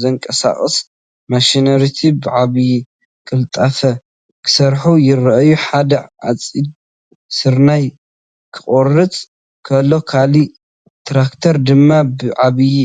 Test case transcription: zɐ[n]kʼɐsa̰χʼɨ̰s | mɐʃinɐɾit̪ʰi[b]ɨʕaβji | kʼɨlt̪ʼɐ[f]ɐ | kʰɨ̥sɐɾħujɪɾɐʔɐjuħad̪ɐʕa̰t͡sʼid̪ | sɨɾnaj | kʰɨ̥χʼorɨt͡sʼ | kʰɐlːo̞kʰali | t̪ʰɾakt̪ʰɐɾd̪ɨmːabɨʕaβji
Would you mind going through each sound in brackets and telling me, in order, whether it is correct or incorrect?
incorrect: ŋ, correct, correct

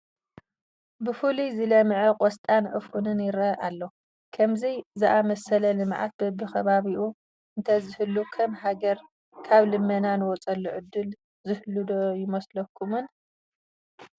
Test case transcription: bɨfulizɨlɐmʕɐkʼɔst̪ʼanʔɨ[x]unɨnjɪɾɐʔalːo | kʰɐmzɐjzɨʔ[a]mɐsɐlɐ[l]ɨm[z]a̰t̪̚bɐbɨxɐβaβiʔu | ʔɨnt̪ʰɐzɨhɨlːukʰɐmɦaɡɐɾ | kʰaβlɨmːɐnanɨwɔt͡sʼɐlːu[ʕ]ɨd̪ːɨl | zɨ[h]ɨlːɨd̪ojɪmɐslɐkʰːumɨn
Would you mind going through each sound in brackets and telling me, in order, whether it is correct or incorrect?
incorrect: f, correct, correct, incorrect: ʕ, correct, correct

